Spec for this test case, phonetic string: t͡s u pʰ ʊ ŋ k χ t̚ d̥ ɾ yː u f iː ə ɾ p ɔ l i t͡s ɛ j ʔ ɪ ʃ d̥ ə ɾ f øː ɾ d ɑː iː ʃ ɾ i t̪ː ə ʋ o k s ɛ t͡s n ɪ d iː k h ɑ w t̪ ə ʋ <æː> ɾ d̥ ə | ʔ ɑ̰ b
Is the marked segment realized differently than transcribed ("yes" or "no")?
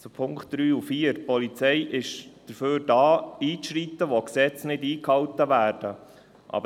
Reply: no